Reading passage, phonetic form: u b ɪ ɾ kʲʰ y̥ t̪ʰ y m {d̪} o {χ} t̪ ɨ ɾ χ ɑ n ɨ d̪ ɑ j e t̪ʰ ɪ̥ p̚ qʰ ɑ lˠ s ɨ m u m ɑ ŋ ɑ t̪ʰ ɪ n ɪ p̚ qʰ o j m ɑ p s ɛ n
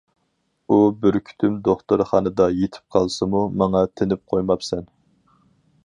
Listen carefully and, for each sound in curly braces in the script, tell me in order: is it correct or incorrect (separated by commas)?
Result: correct, correct